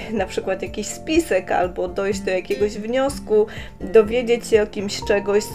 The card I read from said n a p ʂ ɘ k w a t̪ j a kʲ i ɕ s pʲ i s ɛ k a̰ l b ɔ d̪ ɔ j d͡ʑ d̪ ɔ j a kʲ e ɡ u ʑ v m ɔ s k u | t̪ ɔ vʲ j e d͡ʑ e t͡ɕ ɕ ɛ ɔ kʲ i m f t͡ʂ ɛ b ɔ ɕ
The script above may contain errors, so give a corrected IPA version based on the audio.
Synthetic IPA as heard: n a p ʂ ɘ k w a t̪ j a kʲ i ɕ s pʲ i s ɛ k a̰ l b ɔ d̪ ɔ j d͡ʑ d̪ ɔ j a kʲ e ɡ ɔ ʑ v ɲ ɔ s k u | d̪ ɔ vʲ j e d͡ʑ e t͡ɕ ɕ ɛ ɔ kʲ i m ɕ t͡ʂ ɛ ɡ ɔ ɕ